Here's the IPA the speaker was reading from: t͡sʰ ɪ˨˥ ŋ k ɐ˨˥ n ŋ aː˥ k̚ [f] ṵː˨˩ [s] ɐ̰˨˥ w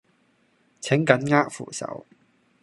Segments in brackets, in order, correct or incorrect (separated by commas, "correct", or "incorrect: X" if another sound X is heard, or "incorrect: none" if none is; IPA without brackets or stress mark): correct, correct